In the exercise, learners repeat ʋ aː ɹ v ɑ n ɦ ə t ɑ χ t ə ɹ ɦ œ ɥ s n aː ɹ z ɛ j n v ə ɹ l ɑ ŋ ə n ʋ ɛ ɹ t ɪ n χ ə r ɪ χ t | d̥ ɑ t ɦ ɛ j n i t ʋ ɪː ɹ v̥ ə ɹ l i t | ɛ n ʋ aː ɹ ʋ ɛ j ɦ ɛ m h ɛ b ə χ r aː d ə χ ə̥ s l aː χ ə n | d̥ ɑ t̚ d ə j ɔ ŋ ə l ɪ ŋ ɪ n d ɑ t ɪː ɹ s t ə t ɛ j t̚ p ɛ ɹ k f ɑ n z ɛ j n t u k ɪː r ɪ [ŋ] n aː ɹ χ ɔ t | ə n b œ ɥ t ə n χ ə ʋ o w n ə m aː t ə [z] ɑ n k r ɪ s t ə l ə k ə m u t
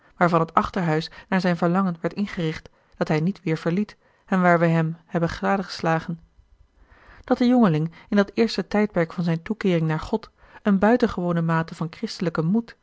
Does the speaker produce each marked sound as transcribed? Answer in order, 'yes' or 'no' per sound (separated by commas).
yes, no